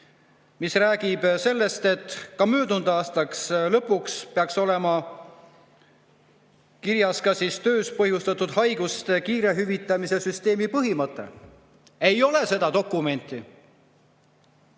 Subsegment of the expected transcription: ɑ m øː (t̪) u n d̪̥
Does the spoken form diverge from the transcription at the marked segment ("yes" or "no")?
yes